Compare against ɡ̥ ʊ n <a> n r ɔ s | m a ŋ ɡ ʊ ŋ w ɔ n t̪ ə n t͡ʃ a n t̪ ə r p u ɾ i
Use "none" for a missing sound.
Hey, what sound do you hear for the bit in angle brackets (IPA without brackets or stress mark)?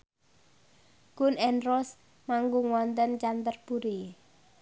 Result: ɛ